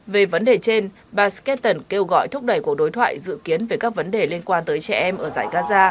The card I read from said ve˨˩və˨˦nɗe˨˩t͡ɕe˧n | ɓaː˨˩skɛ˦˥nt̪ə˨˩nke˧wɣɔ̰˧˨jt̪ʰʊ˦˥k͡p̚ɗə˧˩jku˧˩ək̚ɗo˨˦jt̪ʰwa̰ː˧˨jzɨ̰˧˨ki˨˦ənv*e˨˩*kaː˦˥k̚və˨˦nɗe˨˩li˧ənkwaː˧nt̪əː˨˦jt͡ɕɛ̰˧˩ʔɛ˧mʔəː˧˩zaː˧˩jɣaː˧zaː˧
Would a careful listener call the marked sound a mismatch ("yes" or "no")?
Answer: no